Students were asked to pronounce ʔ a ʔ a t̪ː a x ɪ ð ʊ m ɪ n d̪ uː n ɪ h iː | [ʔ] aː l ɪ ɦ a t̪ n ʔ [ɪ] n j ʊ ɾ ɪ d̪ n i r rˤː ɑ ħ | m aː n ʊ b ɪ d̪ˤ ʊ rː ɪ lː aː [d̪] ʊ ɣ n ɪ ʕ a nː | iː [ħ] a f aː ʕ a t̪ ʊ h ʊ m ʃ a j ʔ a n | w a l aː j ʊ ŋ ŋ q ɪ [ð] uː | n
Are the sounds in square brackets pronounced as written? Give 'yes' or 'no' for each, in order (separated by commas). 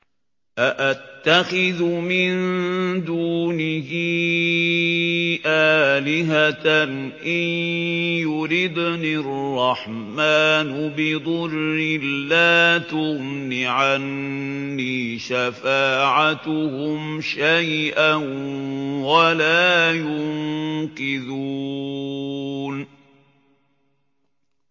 yes, yes, no, no, yes